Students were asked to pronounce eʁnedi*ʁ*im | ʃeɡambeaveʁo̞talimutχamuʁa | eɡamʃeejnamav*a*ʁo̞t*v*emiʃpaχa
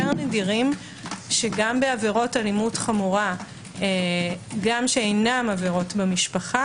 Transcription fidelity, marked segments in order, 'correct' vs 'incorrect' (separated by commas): correct, incorrect, incorrect